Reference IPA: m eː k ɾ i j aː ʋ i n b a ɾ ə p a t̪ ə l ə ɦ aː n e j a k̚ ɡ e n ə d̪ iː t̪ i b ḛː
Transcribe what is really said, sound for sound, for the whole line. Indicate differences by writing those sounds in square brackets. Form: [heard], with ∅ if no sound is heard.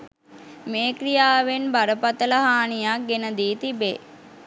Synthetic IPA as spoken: m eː k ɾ i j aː ʋ [e] n b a ɾ ə p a t̪ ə l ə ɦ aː n [i] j a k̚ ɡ e n ə d̪ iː t̪ i b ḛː